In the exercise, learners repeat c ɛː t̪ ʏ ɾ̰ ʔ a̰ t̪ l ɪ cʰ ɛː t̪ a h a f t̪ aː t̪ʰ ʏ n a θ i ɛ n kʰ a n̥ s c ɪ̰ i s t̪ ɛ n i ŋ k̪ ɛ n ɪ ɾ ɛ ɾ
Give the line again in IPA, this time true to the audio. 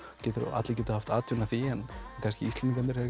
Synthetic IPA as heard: c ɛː t̪ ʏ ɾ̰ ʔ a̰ t̪ l ɪ c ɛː t̪ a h a f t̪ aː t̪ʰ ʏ n a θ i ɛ n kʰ a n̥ s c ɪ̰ i s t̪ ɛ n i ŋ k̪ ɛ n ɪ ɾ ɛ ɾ